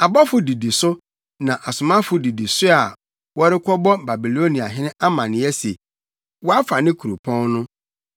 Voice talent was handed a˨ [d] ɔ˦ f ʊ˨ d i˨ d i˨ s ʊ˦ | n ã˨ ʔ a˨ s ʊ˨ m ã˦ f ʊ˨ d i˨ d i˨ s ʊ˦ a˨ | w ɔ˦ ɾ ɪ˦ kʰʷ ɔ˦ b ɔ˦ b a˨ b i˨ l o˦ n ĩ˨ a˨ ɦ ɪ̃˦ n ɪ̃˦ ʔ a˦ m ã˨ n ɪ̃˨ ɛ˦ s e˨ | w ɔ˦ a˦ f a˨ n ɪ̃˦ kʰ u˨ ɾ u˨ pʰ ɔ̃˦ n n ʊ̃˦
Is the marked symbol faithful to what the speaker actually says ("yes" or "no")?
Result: no